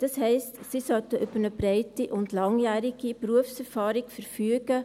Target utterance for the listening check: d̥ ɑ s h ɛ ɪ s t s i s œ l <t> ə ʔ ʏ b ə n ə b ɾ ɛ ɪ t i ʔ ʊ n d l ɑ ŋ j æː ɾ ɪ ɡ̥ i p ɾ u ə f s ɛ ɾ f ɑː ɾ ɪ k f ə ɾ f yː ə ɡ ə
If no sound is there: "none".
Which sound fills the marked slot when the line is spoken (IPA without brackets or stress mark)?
t